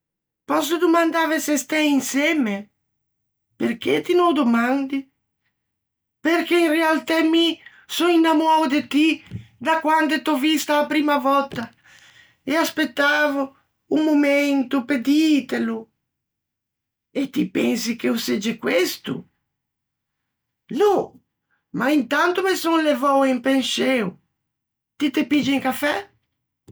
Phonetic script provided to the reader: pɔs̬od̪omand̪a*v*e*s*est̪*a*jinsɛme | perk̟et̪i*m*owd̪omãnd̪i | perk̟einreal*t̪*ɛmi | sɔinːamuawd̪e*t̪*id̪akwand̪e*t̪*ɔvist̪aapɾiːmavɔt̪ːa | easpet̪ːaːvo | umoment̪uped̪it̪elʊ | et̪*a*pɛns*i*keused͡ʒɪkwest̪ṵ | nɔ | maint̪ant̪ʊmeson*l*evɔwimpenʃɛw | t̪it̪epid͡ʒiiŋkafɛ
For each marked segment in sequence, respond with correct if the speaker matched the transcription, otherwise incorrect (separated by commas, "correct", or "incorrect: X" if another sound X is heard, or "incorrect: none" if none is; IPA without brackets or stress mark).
correct, correct, incorrect: ɛ, incorrect: n, correct, correct, correct, incorrect: i, correct, correct